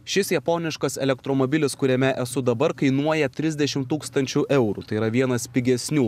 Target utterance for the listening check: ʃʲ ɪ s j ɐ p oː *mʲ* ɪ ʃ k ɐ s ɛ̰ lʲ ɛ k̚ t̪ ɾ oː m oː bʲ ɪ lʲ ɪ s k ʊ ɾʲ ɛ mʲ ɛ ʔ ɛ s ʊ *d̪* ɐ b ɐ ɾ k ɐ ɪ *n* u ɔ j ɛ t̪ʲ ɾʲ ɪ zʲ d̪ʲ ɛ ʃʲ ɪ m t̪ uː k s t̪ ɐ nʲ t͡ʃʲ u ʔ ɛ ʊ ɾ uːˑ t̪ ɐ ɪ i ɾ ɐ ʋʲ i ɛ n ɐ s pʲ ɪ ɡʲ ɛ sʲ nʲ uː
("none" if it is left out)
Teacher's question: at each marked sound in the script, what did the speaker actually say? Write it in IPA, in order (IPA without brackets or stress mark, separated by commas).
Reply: nʲ, d̪, n